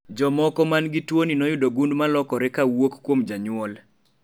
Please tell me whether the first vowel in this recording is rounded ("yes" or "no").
yes